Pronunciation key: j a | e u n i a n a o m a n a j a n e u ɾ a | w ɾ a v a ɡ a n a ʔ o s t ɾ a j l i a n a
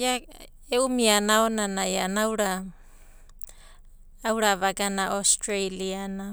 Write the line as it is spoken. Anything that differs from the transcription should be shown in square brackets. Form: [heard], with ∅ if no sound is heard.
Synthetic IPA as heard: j a | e u [m] i a n a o [n] a n a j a n [a] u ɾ a | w ɾ a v a ɡ a n a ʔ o s t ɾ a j l i a n a